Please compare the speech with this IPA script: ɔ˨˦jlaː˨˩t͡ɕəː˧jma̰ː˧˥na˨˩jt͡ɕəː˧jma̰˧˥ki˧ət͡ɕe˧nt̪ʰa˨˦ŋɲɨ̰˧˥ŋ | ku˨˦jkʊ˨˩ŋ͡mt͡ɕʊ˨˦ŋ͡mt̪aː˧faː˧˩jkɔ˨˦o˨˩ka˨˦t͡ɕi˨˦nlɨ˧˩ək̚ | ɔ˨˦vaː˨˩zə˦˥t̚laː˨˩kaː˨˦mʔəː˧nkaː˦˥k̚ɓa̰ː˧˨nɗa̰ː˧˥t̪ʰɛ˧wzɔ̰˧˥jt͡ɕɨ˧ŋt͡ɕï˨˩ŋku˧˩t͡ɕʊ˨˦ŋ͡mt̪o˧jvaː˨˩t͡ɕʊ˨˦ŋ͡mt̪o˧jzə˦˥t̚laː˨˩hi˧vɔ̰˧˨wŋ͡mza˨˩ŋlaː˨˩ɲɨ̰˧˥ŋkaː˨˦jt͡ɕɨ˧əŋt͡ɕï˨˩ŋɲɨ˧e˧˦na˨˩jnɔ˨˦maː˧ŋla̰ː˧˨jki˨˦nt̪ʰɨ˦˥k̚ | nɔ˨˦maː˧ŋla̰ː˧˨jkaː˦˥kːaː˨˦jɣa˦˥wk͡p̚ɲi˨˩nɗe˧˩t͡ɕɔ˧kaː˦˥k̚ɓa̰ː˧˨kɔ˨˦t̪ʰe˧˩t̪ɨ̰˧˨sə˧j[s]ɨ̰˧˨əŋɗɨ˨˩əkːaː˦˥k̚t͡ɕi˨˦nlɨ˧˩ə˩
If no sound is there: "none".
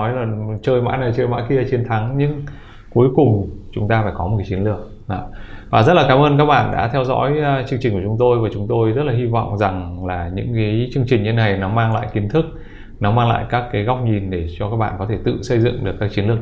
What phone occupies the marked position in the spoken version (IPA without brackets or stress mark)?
z